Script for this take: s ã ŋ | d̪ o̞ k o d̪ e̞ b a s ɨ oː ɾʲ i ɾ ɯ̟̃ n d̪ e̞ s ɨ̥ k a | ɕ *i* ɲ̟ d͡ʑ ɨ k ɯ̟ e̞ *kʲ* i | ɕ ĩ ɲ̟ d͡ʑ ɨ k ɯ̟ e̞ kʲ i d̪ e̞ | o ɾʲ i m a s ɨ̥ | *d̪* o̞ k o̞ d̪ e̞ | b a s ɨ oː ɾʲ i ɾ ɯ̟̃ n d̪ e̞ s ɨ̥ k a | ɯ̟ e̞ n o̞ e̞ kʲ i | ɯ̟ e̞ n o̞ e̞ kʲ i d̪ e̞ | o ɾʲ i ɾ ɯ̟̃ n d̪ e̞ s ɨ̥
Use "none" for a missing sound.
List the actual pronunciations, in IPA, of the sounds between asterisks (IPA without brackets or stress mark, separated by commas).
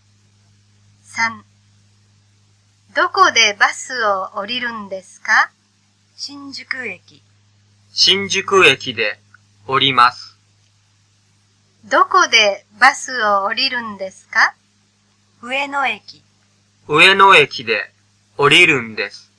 ĩ, kʲ, d̪